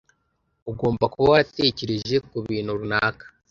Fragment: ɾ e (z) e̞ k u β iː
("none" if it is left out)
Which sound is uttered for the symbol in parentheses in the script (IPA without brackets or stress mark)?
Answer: ʒ